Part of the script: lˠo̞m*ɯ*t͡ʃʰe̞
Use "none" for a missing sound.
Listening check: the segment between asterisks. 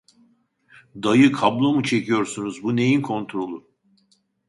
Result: u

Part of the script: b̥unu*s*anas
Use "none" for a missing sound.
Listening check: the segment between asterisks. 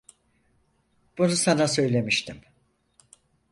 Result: s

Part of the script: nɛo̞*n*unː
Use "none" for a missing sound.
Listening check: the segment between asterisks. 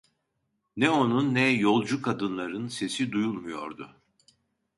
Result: n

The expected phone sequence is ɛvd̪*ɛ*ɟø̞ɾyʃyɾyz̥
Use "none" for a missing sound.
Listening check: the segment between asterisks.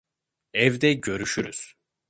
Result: ɛ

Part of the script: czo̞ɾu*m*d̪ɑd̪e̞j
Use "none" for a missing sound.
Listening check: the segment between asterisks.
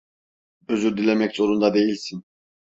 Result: n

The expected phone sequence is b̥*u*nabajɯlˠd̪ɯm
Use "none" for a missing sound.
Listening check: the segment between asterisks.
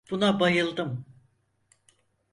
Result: u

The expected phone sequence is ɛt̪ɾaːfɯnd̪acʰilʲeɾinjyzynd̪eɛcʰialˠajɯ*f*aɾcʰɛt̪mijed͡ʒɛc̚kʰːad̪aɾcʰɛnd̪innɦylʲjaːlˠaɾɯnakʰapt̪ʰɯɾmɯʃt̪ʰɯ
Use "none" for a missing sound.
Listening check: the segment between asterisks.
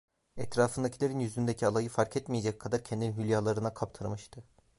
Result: f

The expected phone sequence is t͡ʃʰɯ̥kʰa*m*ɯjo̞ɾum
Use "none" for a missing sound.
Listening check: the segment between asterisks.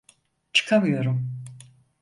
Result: m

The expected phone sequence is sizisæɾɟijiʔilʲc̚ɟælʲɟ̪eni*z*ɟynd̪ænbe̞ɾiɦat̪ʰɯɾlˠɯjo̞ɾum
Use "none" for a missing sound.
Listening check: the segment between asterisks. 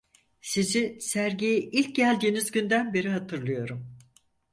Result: z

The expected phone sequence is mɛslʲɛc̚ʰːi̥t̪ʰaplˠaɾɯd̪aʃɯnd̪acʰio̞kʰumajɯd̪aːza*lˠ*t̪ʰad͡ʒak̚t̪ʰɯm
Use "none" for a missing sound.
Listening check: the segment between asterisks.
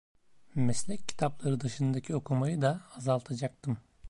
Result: lˠ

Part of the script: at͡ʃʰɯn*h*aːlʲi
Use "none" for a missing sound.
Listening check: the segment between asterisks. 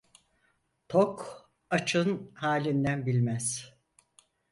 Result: h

